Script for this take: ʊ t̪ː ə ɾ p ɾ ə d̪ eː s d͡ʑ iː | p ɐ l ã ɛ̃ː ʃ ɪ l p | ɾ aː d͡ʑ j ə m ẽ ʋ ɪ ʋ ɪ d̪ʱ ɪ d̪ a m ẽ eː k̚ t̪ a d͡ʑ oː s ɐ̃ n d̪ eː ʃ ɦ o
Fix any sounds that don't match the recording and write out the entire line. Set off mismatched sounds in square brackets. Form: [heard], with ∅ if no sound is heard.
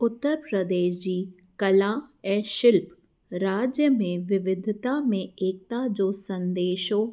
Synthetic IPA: ʊ t̪ː ə ɾ p ɾ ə d̪ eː [ʃ] d͡ʑ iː | [k] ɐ l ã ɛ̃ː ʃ ɪ l p | ɾ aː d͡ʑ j ə m ẽ ʋ ɪ ʋ ɪ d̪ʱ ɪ [t̪] a m ẽ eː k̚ t̪ a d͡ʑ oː s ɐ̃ n d̪ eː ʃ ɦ o